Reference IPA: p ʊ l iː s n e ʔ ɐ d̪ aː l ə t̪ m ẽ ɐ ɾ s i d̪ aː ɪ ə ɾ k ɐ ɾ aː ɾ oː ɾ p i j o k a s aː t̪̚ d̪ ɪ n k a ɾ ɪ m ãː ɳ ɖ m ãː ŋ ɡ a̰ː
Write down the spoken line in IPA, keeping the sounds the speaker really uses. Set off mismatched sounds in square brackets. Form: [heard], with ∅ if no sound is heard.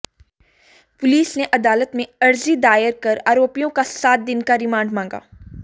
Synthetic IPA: p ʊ l iː s n e ʔ ɐ d̪ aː l ə t̪ m ẽ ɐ ɾ [z] i d̪ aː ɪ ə ɾ k ɐ ɾ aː ɾ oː [∅] p i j [õ] k a s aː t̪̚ d̪ ɪ n k a ɾ ɪ m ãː ɳ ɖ m ãː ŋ ɡ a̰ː